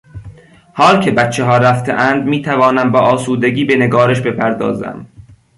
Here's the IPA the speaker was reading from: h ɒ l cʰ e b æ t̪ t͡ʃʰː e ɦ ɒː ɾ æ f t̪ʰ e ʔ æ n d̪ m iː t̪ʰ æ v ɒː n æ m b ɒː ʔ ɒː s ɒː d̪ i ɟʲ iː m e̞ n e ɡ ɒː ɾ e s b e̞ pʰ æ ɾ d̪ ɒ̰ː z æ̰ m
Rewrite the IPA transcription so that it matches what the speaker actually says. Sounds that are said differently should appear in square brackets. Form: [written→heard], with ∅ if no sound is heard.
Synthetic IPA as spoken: h [ɒ→ɒː] l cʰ e b æ t̪ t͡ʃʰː e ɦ ɒː ɾ æ f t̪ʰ e ʔ æ n d̪ m iː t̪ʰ æ v ɒː n æ m b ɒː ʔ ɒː s [ɒː→uː] d̪ [i→e] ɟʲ iː [m→b] e̞ n e ɡ ɒː ɾ e [s→ʃ] b e̞ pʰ æ ɾ d̪ ɒ̰ː z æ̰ m